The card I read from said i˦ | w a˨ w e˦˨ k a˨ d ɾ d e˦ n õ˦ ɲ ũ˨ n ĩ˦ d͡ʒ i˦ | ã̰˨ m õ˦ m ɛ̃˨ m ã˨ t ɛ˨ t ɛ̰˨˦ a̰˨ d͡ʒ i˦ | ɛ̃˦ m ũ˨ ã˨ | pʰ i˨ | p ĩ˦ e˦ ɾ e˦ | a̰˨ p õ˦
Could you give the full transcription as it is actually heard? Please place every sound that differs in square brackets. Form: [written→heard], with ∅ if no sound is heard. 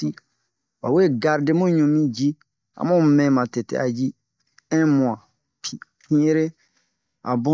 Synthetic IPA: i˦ | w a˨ w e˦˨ [k→ɡ] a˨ [d→∅] ɾ d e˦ [n→m] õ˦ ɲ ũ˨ [n→m] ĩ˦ d͡ʒ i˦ | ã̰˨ m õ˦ m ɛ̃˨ m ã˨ t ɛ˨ t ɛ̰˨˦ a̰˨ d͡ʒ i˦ | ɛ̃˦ m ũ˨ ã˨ | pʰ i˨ | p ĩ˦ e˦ ɾ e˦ | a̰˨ [p→b] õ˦